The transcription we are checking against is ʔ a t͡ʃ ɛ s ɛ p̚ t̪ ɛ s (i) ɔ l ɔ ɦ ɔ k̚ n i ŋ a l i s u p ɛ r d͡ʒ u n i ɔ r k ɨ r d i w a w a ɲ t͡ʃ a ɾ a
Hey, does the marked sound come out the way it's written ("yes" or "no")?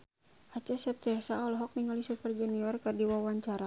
no